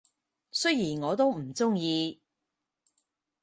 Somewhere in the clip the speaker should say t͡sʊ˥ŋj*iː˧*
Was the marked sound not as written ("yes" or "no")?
no